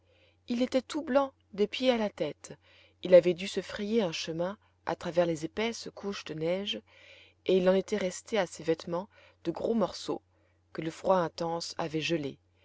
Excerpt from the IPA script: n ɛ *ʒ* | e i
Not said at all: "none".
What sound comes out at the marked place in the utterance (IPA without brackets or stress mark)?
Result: ʒ